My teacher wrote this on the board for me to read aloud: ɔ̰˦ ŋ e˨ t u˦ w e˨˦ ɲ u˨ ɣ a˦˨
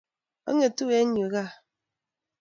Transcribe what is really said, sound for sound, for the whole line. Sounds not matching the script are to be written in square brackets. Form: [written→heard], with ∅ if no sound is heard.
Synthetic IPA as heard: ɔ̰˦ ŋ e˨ t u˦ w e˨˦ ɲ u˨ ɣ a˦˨